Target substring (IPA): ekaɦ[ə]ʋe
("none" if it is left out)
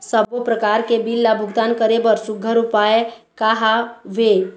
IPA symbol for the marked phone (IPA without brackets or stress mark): a